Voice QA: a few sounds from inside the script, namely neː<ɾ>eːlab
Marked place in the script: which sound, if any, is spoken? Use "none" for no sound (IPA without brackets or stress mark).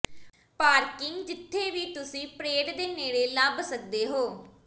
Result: ɽ